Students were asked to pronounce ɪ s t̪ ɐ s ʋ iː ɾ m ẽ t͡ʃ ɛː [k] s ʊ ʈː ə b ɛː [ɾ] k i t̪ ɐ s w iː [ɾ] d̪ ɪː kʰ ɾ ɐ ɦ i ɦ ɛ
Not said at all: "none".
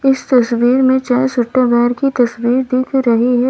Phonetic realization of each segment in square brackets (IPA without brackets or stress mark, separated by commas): none, ɾ, ɾ